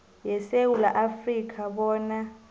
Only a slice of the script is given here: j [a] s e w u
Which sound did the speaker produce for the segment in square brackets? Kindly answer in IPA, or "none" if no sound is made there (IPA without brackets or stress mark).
ɛ